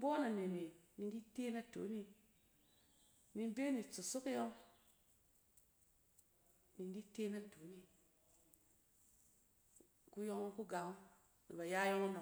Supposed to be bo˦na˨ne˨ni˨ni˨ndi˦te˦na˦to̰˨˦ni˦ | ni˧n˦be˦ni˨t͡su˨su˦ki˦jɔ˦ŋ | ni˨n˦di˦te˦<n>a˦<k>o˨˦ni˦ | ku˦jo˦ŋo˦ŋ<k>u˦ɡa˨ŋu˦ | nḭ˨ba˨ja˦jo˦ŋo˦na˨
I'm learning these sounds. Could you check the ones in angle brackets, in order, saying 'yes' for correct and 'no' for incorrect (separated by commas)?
yes, no, yes